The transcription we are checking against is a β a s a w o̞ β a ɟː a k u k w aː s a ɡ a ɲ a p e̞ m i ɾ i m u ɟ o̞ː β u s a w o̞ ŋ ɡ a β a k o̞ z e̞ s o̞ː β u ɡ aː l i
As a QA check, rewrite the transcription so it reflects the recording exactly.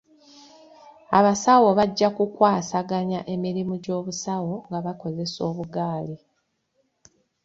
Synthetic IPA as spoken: a β a s a w o̞ β a ɟː a k u k w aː s a ɡ a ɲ a ʔ e̞ m i ɾ i m u ɟ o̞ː β u s a w o̞ ŋ ɡ a β a k o̞ z e̞ s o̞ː β u ɡ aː l i